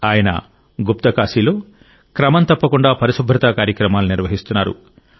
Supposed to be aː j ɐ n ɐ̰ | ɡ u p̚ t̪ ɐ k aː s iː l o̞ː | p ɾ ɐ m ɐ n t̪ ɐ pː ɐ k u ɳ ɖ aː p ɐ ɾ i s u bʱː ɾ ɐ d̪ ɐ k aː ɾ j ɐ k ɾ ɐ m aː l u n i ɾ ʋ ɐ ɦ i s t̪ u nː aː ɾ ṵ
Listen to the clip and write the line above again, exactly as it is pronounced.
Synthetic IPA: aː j ɐ n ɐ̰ | ɡ u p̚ t̪ ɐ k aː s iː l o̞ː | k ɾ ɐ m ɐ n t̪ ɐ pː ɐ k u ɳ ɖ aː p ɐ ɾ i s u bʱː ɾ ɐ t̪ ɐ k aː ɾ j ɐ k ɾ ɐ m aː l u n i ɾ ʋ ɐ ɦ i s t̪ u nː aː ɾ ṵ